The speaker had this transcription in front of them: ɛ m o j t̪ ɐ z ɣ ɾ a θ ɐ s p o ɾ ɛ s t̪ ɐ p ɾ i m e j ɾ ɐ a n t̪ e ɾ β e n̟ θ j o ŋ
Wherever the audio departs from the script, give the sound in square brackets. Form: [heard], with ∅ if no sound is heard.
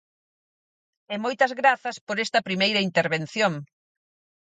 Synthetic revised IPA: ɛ m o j t̪ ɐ z ɣ ɾ a θ ɐ s p o ɾ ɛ s t̪ ɐ p ɾ i m e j ɾ ɐ [i] n t̪ e ɾ β e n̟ θ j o ŋ